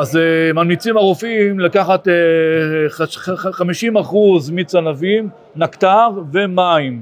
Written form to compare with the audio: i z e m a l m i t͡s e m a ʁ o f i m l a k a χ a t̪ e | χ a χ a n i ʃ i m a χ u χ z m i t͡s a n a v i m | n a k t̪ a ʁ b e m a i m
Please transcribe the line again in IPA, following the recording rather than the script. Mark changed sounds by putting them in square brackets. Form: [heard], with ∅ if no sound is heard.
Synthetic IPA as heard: [a] z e m a l m i t͡s [i] m a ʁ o f i m l a k a χ a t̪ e | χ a χ a [m] i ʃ i m a χ u [∅] z m i t͡s a n a v i m | n a k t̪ a ʁ [v] e m a i m